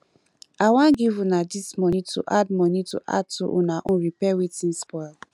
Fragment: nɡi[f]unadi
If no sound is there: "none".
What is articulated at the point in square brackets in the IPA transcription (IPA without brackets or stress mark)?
v